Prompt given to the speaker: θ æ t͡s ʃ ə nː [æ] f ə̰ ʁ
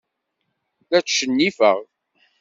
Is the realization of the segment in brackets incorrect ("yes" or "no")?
yes